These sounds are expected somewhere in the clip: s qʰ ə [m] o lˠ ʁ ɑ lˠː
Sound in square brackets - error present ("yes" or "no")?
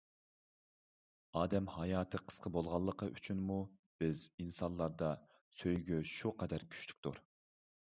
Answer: yes